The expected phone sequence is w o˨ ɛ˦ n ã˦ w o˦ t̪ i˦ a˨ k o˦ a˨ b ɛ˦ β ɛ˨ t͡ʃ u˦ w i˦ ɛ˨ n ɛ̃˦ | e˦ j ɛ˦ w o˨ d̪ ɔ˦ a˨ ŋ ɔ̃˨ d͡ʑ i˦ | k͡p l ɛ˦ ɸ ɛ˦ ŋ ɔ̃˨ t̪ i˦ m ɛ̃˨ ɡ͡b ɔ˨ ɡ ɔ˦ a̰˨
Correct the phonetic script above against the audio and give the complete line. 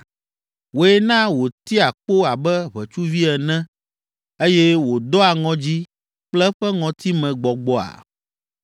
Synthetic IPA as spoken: w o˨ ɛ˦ n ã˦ w o˨ t̪ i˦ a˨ k͡p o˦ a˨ b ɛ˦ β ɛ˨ t͡ʃ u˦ v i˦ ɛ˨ n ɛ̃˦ | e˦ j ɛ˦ w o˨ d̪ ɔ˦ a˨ ŋ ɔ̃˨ d͡ʑ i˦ | k͡p l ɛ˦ ɸ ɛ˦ ŋ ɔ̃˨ t̪ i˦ m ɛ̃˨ ɡ͡b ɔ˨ ɡ͡b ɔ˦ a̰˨